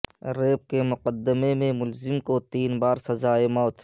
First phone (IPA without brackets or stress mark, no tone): ɾ